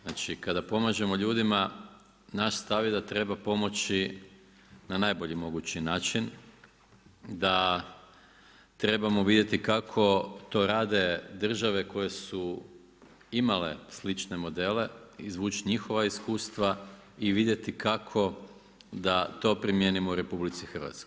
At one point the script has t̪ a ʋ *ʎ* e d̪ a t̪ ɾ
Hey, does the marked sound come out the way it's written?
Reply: no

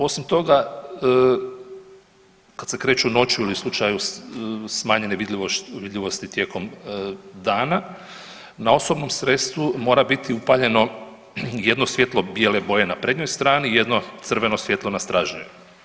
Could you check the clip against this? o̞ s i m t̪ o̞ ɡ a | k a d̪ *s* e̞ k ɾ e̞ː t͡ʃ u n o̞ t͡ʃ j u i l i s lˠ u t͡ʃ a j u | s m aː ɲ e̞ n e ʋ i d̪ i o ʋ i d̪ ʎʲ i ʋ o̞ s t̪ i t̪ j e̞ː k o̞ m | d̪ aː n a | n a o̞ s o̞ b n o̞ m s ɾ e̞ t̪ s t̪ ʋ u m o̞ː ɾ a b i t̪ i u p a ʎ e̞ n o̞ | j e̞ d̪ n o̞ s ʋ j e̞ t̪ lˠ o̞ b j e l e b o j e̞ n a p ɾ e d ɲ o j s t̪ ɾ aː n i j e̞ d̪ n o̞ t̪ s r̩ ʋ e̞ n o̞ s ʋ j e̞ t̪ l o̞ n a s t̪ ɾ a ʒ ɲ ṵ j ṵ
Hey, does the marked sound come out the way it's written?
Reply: yes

